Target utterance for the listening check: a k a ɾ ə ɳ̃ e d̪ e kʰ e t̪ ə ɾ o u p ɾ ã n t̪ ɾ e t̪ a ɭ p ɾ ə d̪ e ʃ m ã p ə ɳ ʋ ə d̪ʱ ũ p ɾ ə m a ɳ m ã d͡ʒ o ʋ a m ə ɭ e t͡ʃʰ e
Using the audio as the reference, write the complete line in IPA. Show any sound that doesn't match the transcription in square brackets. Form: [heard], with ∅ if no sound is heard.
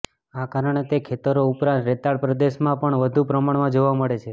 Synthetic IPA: a k a ɾ ə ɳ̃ e [t̪] e kʰ e t̪ ə ɾ o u p ɾ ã n t̪ ɾ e t̪ a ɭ p ɾ ə d̪ e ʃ m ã p ə ɳ ʋ ə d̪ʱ [u] p ɾ ə m a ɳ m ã d͡ʒ o ʋ a m ə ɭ e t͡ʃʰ e